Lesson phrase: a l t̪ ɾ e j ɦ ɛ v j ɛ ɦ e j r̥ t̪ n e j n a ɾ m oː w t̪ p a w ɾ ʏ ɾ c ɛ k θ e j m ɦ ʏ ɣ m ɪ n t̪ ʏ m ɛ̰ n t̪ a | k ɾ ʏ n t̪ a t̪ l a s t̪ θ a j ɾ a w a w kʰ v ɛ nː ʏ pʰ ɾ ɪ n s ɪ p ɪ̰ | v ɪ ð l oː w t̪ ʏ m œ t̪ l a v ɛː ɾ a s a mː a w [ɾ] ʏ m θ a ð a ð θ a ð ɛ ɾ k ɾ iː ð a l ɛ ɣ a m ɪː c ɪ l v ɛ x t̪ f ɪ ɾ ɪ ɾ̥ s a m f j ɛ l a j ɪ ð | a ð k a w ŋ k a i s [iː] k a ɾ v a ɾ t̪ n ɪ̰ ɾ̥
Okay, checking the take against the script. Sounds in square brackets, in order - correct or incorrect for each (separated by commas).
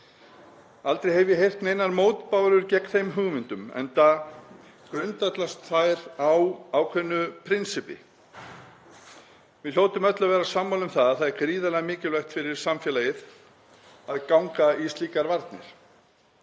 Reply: incorrect, correct